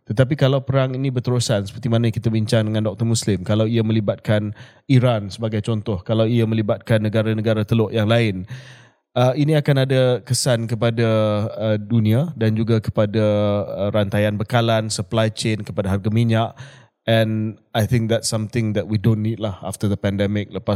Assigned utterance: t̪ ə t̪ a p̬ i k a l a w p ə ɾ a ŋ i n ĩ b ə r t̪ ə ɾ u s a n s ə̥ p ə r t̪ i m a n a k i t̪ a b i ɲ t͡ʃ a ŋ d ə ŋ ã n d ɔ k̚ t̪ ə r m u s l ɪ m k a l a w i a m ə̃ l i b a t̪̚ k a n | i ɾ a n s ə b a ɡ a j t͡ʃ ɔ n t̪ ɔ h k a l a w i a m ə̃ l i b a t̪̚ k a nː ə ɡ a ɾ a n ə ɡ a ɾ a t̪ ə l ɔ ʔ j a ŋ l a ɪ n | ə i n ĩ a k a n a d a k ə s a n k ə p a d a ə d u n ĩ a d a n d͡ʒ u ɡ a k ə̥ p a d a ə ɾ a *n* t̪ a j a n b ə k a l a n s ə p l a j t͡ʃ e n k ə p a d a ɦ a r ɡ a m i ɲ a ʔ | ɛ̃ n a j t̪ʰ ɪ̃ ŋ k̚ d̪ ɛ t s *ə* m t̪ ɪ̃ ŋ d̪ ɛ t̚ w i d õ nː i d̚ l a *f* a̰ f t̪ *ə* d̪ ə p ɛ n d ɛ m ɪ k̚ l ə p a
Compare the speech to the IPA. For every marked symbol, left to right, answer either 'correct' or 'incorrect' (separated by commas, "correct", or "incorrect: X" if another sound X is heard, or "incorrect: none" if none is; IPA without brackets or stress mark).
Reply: correct, incorrect: a, incorrect: h, correct